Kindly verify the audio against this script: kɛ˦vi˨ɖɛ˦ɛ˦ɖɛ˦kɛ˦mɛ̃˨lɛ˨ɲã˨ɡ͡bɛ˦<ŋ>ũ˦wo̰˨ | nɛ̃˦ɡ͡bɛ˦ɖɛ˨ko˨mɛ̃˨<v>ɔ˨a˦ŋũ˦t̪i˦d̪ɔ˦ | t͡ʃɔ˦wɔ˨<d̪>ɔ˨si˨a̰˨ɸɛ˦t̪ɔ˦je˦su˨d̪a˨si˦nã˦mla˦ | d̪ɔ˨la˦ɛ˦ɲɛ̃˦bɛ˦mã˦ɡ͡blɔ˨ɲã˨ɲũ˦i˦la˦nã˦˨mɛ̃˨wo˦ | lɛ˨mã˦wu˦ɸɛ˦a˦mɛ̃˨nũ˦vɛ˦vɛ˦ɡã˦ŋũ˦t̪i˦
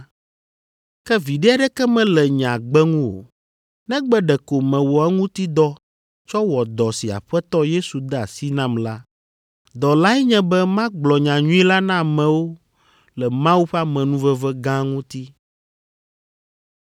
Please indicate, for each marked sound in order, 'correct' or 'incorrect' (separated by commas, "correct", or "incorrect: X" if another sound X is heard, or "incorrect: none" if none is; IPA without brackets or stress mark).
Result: correct, incorrect: w, correct